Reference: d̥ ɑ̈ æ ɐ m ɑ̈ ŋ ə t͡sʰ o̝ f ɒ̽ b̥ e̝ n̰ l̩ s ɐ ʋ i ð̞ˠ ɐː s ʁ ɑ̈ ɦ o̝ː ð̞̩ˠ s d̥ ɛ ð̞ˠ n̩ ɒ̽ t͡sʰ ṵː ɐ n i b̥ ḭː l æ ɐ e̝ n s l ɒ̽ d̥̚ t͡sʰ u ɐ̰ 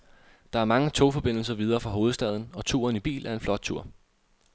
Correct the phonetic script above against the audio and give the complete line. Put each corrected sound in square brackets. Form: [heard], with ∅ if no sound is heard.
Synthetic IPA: d̥ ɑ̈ æ ɐ m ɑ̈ ŋ ə t͡sʰ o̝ f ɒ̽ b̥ e̝ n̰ l̩ s ɐ ʋ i ð̞ˠ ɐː [f] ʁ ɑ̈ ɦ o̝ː ð̞̩ˠ s d̥ ɛ ð̞ˠ n̩ ɒ̽ t͡sʰ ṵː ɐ n i b̥ ḭː l æ ɐ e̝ n [f] l ɒ̽ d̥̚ t͡sʰ u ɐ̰